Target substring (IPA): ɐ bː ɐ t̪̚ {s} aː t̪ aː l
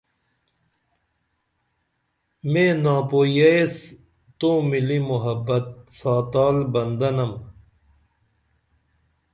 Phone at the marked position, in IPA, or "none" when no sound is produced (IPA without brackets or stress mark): s